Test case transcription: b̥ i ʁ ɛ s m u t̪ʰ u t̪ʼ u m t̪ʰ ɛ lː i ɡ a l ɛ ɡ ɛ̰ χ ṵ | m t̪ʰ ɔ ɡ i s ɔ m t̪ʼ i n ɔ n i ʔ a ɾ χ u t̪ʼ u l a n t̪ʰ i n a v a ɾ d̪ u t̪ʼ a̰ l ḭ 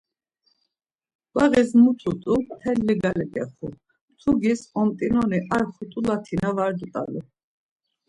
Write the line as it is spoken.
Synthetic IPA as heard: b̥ a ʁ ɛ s m u t̪ʰ u t̪ʼ u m t̪ʰ ɛ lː i ɡ a l ɛ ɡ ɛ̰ χ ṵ | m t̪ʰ u ɡ i s ɔ m t̪ʼ i n ɔ n i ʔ a ɾ χ u t̪ʼ u l a t̪ʰ i n a v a ɾ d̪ u t̪ʼ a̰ l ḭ